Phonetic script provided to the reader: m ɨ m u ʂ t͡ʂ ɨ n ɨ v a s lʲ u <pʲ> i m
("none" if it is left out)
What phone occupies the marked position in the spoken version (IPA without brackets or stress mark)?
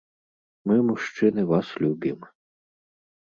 bʲ